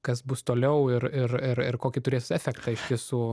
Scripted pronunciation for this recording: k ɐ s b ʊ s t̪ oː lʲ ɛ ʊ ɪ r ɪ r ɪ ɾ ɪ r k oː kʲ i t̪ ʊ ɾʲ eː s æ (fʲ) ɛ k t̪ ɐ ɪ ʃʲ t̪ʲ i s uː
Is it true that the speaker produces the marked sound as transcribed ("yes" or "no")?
yes